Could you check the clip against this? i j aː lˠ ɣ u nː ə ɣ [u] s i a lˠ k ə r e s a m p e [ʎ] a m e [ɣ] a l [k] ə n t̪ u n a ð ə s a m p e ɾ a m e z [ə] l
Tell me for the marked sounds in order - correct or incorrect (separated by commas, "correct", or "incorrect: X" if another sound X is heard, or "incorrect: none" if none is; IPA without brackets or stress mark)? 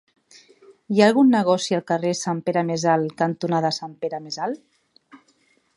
incorrect: ɔ, incorrect: ɾ, incorrect: z, correct, incorrect: a